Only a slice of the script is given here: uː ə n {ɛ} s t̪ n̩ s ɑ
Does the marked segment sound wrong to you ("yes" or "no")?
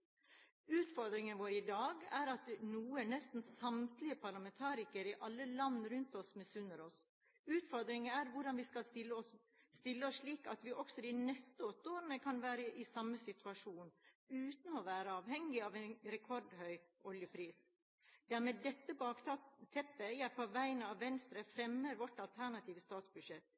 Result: no